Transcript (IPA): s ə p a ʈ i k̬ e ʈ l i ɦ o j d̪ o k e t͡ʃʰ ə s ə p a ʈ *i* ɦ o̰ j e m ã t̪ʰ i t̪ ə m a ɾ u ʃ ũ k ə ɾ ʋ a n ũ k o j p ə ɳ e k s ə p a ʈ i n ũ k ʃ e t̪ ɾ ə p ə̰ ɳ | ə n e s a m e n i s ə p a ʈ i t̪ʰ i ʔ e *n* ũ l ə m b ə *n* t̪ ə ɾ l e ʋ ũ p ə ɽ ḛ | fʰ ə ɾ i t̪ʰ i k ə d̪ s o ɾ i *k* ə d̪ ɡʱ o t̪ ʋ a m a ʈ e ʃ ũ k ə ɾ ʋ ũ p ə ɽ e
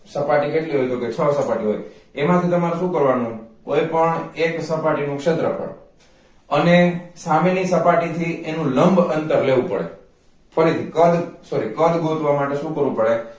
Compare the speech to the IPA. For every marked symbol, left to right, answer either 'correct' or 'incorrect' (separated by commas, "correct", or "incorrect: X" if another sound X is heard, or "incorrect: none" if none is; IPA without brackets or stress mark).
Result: correct, correct, correct, correct